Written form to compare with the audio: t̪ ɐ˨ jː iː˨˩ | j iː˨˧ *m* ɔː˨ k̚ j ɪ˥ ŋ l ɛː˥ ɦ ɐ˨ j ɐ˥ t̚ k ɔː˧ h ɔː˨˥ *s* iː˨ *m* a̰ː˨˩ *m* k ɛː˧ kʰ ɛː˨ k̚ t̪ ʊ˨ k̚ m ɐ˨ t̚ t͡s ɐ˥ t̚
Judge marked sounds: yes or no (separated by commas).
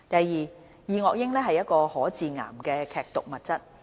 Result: no, no, no, yes